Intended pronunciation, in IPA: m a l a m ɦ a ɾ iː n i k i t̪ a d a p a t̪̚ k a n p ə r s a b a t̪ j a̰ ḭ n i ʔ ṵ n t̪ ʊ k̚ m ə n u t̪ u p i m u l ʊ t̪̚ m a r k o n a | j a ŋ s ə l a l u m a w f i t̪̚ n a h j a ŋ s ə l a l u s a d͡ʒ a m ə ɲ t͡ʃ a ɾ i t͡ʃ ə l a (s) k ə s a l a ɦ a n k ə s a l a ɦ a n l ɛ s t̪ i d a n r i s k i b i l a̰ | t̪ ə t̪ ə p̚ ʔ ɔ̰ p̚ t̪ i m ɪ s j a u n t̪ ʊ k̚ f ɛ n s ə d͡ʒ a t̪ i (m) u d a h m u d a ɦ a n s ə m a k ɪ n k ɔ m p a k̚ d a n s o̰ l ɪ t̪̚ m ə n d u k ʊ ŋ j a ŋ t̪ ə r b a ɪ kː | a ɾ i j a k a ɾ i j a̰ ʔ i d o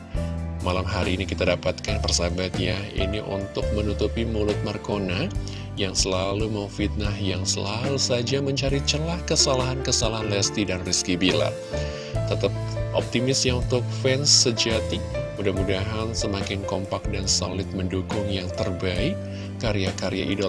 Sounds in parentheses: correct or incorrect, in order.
incorrect: h, correct

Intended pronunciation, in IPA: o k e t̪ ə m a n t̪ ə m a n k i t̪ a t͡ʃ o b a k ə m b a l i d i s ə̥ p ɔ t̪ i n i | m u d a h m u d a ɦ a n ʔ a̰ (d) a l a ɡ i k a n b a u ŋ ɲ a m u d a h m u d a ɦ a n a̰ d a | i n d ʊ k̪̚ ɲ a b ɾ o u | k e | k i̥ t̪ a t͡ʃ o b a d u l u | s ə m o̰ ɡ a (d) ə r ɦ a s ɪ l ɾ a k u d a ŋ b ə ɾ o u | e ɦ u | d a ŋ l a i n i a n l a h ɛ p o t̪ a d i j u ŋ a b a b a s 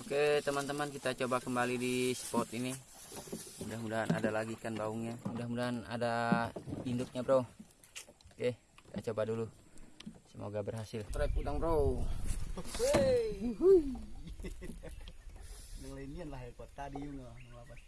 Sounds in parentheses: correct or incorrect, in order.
correct, incorrect: b

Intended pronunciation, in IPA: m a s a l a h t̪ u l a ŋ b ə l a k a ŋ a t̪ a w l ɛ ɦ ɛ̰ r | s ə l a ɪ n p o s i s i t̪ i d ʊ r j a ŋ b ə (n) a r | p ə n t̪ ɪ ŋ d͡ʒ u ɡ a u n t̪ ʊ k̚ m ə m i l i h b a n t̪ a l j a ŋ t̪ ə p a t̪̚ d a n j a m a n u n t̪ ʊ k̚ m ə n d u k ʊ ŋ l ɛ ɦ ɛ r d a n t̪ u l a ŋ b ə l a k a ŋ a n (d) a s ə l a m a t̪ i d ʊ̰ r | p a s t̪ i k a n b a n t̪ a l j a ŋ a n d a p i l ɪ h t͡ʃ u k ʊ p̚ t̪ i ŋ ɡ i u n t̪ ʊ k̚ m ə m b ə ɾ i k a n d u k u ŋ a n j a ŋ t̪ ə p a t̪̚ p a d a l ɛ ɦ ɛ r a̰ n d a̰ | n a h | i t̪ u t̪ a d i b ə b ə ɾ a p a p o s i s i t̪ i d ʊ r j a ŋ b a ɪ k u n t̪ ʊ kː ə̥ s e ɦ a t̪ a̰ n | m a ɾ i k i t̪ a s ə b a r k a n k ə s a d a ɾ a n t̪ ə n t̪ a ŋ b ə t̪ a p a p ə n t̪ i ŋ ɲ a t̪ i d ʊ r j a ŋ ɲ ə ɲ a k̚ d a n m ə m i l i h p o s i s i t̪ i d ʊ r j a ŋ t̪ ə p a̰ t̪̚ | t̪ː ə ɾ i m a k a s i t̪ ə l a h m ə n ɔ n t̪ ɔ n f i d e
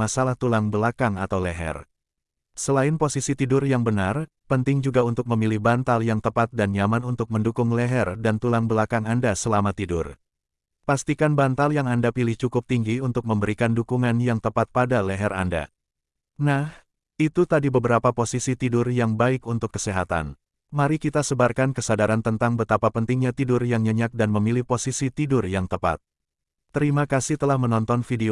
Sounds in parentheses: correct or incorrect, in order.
correct, correct

